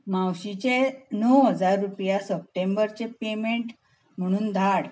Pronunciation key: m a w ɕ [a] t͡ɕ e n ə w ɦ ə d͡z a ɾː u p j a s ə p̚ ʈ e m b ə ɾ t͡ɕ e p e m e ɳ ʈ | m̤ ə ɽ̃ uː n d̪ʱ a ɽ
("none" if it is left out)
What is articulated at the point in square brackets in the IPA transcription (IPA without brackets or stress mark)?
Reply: i